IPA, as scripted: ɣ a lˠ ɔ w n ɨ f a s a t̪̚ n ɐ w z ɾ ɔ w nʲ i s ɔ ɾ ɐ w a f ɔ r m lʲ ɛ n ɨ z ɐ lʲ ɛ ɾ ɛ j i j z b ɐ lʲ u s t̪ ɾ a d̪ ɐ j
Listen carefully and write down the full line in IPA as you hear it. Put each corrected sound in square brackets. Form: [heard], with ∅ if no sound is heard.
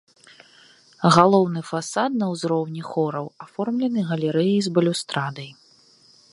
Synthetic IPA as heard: ɣ a lˠ ɔ w n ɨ f a s a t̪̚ n ɐ w z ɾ ɔ w nʲ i [x] ɔ ɾ ɐ w a f ɔ r m lʲ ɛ n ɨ [ɣ] ɐ lʲ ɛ ɾ ɛ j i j z b ɐ lʲ u s t̪ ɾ a d̪ ɐ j